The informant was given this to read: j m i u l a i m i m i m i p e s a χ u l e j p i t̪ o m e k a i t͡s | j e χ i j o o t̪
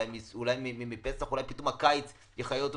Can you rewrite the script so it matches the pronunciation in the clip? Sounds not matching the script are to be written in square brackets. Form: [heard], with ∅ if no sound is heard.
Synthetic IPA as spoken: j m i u l a [j] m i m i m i p e s a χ u l [a] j p i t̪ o m [a] k a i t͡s | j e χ [a] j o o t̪